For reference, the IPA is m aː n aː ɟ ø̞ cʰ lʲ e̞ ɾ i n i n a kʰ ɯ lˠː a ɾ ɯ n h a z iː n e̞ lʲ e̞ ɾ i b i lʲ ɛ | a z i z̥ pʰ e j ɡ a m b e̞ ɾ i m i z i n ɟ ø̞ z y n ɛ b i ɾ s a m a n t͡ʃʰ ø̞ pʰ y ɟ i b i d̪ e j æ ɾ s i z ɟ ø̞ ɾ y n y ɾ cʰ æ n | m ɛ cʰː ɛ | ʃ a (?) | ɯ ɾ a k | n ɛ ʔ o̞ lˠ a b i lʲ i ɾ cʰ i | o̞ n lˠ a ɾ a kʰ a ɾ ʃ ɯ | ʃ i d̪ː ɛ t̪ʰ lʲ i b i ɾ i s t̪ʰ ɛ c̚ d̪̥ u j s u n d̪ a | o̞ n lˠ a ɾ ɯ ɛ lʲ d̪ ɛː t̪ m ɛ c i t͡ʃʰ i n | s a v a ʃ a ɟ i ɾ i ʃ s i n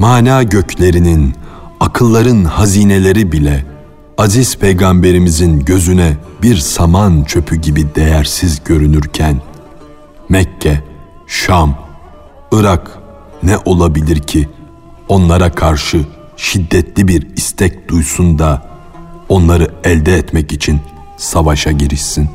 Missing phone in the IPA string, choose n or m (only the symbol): m